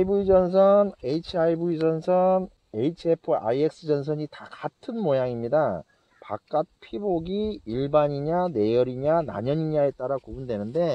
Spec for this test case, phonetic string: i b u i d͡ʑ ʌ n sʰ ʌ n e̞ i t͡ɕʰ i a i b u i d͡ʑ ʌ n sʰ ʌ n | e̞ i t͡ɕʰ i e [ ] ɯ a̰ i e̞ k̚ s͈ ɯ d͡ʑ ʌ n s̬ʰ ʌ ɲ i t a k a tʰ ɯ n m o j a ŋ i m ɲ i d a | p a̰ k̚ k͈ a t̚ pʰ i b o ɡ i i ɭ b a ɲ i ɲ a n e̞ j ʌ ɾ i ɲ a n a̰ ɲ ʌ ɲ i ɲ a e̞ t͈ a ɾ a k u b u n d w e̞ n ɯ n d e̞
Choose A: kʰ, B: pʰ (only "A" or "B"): B